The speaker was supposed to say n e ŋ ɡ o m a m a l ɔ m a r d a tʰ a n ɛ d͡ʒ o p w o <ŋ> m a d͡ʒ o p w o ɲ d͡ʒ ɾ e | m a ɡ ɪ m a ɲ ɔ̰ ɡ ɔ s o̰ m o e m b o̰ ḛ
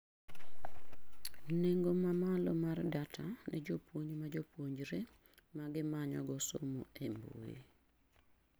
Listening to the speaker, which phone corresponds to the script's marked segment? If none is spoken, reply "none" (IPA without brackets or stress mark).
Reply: ɲ